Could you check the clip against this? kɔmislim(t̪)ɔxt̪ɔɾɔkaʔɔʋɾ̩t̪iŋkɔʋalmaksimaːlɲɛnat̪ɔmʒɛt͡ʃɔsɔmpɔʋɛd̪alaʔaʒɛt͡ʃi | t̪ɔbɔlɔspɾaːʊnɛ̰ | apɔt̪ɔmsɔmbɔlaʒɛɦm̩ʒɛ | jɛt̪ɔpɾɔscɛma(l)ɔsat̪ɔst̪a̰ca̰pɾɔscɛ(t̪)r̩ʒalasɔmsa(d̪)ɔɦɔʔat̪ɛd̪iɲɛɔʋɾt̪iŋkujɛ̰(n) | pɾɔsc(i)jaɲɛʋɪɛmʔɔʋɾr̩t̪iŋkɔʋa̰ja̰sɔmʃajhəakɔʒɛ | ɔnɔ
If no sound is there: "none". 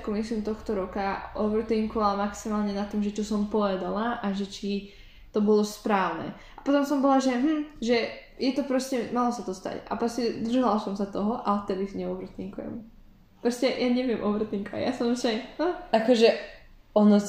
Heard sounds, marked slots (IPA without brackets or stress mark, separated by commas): t̪, l, d̪, t̪, m, ɛ